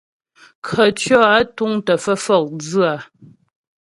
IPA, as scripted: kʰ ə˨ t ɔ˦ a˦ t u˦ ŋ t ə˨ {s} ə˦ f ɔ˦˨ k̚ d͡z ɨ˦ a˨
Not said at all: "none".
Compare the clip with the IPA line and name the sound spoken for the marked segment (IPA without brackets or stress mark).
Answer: f